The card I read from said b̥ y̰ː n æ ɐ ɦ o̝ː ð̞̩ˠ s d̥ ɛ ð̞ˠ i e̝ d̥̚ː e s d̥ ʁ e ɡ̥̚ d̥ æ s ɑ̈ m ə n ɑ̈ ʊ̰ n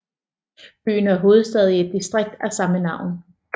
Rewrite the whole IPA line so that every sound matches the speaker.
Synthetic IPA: b̥ y̰ː n æ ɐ ɦ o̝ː ð̞̩ˠ s d̥ ɛ ð̞ˠ i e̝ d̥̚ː i s d̥ ʁ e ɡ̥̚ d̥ æ s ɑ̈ m ə n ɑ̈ ʊ̰ n